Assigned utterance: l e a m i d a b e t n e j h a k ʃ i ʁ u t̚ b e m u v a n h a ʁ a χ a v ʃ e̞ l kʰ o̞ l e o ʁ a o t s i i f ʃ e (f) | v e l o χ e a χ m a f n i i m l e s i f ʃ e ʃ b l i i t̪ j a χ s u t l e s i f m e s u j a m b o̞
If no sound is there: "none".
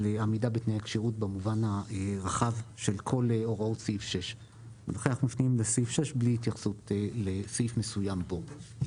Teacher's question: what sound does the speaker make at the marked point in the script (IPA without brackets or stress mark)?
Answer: ʃ